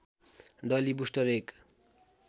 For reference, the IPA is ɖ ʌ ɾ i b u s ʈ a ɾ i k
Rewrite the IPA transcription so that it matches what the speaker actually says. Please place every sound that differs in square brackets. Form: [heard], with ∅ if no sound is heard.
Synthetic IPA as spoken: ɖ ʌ [l] i b u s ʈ [ʌ] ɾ [e] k